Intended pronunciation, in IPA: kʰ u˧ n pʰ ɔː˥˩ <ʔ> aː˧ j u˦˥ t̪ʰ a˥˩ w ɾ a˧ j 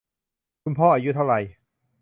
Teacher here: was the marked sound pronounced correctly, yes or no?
yes